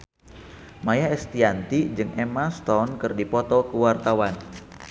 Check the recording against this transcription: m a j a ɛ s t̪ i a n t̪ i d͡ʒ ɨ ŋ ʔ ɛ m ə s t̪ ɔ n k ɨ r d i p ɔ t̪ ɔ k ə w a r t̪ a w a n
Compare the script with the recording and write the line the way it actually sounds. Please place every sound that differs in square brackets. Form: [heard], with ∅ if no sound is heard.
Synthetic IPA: m a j a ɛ s t̪ i a n t̪ i d͡ʒ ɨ ŋ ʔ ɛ m [a] s t̪ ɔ n k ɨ r d i p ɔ t̪ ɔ k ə w a r t̪ a w a n